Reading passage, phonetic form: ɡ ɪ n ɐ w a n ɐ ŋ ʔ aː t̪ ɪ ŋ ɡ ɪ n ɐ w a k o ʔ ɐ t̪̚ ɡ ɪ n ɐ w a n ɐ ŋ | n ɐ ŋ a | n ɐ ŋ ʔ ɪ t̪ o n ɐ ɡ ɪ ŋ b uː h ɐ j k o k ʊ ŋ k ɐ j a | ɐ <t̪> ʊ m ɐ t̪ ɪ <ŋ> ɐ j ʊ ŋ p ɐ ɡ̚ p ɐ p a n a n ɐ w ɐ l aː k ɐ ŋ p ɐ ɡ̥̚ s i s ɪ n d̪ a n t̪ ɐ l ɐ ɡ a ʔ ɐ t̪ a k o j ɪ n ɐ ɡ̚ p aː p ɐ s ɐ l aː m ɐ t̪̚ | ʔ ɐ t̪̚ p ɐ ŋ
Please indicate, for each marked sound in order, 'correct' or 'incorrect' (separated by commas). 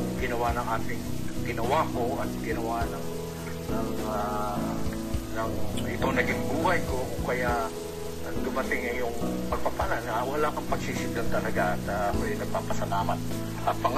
incorrect, correct